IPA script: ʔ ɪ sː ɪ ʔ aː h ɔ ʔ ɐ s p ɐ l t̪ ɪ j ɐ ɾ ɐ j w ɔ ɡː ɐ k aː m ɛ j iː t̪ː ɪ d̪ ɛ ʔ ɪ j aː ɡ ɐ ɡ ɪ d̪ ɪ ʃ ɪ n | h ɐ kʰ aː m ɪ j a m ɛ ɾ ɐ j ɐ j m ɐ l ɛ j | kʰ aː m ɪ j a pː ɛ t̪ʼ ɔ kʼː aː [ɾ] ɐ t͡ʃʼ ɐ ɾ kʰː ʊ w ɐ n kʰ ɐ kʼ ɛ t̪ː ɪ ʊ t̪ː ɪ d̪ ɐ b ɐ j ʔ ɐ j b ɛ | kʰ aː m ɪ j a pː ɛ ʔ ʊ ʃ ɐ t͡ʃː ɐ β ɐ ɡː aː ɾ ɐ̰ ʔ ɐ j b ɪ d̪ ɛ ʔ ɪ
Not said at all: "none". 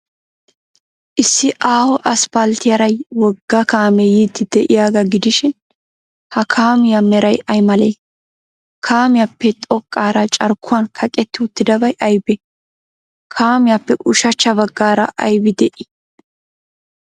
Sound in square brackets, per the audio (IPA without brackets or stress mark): ɾ